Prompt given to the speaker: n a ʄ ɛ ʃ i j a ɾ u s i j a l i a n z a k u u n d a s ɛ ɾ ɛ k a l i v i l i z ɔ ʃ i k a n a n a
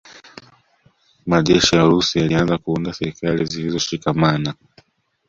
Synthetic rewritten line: m a ʄ ɛ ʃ i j a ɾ u s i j a l i a n z a k u u n d a s ɛ ɾ i k a l i z i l i z ɔ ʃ i k a m a n a